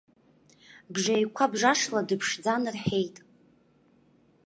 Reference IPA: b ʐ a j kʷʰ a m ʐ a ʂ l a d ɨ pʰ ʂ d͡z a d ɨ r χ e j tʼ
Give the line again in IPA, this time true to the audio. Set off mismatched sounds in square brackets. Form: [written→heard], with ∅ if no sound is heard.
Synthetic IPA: b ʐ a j kʷʰ a [m→b] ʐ a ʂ l a d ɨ pʰ ʂ d͡z a [d→n] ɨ r [χ→ħ] e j tʼ